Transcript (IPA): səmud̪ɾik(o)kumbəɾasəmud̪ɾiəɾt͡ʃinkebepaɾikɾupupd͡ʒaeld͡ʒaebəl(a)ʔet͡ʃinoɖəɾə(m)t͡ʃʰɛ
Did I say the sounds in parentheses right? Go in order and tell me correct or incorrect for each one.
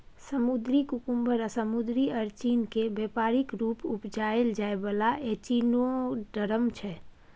incorrect: u, correct, correct

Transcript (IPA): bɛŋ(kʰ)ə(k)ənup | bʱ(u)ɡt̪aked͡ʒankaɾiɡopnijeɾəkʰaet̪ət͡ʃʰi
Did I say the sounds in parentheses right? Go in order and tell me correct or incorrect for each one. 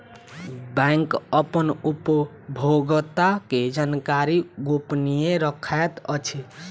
incorrect: k, incorrect: p, incorrect: o

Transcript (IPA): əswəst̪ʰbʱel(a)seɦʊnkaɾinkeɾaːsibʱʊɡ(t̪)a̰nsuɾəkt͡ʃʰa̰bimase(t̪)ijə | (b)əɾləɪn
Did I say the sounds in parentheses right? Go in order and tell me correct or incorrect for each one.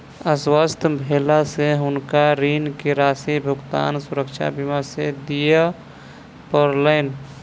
correct, correct, incorrect: d̪, incorrect: p

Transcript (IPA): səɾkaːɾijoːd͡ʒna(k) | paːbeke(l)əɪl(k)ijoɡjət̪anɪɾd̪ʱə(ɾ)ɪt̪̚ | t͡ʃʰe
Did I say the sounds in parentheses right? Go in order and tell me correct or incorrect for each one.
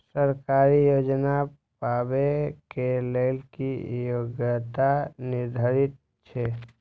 incorrect: none, correct, correct, correct

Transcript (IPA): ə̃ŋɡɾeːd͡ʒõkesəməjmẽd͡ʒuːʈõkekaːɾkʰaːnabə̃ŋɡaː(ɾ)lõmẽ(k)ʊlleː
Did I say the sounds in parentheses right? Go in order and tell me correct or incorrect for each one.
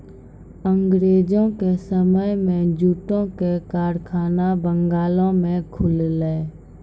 incorrect: none, incorrect: kʰ

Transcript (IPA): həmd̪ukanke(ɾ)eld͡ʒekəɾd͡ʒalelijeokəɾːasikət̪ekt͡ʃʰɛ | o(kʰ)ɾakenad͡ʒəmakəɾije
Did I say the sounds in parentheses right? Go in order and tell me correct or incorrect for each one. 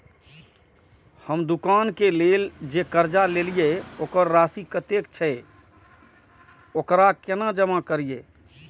incorrect: l, incorrect: k

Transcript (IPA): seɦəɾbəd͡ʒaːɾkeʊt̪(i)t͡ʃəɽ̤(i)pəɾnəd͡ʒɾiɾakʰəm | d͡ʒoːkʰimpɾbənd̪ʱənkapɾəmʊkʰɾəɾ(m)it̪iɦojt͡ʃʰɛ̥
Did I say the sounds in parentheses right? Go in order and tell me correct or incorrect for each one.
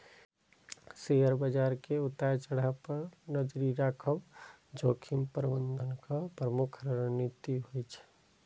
incorrect: a, incorrect: a, incorrect: n

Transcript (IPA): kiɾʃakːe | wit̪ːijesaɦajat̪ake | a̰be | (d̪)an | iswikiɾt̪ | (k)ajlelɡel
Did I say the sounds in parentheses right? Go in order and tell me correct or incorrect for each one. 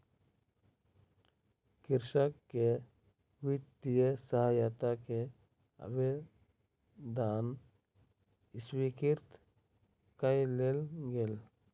correct, correct

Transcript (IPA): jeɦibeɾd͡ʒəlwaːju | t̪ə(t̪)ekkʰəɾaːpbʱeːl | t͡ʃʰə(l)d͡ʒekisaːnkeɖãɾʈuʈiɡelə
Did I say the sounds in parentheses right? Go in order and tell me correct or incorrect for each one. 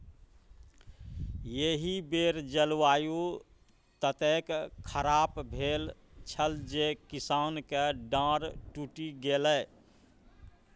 correct, correct

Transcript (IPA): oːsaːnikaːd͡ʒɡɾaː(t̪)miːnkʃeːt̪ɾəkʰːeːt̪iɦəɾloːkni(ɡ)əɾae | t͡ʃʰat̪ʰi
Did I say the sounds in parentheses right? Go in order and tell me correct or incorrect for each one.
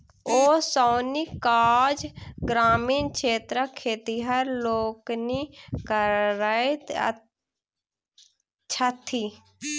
incorrect: none, incorrect: k

